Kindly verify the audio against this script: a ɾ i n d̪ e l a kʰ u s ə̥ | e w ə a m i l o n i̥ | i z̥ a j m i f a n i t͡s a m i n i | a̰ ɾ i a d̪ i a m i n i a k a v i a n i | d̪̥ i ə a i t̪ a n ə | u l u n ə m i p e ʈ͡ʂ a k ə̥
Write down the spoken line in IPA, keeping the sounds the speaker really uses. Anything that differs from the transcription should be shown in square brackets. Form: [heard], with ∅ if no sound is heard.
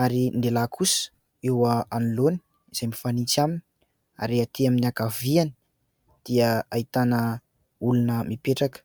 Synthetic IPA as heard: a ɾ i n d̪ e l a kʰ u s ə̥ | e w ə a [n] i l o n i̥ | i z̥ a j m i f a n i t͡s a m i n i | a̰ ɾ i a [t̪] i a m i n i a k a v i a n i | d̪̥ i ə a i t̪ a n ə | u l u n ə m i p e ʈ͡ʂ a k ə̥